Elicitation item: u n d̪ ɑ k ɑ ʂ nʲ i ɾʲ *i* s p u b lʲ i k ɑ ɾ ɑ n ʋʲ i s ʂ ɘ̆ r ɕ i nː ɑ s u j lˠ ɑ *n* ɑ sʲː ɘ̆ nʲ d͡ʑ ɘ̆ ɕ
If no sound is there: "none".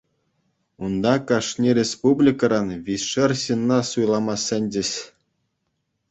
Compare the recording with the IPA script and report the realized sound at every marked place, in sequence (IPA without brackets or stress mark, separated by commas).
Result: e, m